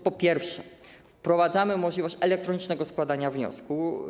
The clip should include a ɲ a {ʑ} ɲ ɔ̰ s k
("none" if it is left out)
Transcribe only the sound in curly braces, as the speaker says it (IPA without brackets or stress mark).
v